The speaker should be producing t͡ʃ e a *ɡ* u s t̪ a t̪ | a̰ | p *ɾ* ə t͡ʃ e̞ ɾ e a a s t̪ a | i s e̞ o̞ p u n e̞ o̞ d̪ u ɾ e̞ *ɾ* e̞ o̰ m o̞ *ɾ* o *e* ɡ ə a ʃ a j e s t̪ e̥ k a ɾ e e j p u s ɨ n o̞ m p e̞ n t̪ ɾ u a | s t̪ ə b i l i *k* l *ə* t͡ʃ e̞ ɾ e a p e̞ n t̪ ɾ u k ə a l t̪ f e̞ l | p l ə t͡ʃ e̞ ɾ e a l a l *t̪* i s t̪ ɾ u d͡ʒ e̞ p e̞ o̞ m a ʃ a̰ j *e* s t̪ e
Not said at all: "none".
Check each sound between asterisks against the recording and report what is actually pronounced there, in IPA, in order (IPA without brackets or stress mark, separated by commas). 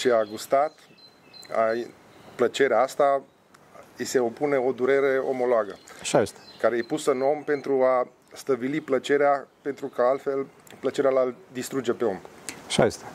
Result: ɡ, l, ɾ, l, a, p, ə, d̪, e